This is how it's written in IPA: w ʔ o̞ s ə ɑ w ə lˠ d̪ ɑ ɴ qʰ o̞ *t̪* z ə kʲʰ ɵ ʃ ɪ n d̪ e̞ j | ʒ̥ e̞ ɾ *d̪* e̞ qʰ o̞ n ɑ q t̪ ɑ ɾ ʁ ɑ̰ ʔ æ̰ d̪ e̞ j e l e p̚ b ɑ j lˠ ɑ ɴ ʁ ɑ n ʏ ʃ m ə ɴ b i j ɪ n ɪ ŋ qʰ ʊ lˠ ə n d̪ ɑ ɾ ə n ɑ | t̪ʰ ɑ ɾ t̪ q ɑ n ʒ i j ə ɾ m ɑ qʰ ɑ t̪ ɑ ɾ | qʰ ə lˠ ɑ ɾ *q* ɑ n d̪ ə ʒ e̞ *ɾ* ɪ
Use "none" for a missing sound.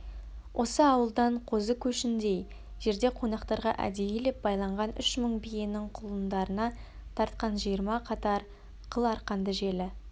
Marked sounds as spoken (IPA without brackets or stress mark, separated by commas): none, d̪, q, l